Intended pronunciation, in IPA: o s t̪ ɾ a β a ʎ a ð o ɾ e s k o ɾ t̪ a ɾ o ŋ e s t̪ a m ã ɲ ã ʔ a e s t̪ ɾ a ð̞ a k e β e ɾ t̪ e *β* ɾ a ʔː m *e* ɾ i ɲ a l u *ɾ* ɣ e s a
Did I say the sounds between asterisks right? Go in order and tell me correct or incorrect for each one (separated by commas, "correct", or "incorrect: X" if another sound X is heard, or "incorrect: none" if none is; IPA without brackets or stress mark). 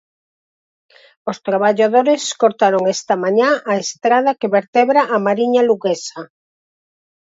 correct, incorrect: a, incorrect: none